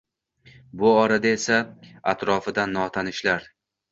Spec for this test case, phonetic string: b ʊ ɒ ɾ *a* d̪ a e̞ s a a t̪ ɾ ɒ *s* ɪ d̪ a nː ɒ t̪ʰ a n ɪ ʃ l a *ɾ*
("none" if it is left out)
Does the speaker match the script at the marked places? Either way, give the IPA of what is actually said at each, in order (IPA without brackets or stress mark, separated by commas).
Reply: a, f, ɾ